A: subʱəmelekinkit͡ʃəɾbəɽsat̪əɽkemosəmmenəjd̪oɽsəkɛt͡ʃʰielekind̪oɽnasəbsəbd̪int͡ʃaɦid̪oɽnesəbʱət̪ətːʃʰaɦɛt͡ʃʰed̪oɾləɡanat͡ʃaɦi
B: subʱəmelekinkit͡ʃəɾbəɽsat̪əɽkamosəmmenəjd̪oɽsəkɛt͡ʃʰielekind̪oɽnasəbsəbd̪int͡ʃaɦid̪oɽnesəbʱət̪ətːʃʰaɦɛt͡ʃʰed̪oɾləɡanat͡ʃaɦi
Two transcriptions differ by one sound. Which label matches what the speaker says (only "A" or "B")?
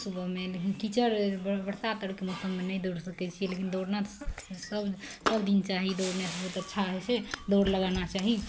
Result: A